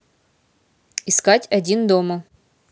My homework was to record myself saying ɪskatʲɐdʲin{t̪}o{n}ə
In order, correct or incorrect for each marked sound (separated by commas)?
incorrect, incorrect